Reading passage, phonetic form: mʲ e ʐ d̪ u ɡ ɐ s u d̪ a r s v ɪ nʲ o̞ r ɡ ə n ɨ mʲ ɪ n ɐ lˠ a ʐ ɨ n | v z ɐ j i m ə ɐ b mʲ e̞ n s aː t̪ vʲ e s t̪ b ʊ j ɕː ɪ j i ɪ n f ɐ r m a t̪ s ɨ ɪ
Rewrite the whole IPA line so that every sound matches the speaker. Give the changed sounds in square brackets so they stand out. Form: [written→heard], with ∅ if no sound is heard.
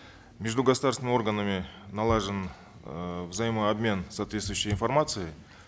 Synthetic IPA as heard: mʲ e ʐ d̪ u ɡ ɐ s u d̪ a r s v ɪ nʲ o̞ r ɡ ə n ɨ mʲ ɪ n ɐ lˠ a ʐ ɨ n | v z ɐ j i m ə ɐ b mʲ e̞ n s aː t̪ vʲ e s t̪ [b→v] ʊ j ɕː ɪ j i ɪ n f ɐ r m a t̪ s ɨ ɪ